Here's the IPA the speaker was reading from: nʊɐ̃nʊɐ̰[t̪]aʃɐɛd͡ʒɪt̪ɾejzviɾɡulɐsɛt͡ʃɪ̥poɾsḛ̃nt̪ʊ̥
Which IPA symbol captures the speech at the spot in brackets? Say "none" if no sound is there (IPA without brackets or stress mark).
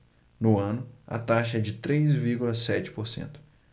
t̪